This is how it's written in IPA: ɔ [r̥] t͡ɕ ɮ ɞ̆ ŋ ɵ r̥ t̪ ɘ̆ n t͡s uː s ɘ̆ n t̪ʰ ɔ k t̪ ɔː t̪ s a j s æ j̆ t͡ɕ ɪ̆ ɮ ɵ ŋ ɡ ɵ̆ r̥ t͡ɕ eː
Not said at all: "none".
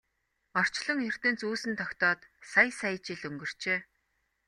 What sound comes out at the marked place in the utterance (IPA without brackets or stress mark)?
r̥